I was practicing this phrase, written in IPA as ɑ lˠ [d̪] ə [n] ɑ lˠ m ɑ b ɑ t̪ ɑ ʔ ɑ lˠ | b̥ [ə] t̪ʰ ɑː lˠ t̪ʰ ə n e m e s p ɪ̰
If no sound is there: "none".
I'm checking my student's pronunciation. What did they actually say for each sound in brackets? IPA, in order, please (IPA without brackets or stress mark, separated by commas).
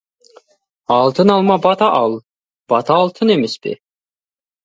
t̪, n, ɑ